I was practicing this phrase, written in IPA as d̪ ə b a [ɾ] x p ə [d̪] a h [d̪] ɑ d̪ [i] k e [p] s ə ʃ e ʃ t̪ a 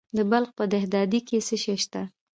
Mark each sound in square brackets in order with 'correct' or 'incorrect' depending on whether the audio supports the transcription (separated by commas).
incorrect, correct, correct, correct, incorrect